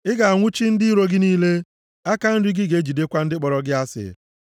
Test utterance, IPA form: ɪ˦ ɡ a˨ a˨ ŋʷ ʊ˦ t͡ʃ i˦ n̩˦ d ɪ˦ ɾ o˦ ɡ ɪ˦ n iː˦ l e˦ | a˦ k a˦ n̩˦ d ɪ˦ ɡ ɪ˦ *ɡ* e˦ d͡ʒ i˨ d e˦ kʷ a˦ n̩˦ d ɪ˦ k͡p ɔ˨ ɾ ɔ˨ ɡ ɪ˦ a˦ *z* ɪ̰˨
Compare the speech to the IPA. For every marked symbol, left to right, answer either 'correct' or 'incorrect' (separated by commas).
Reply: correct, incorrect